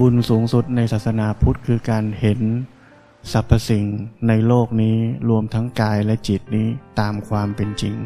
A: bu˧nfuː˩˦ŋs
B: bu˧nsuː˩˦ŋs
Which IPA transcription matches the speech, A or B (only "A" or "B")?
B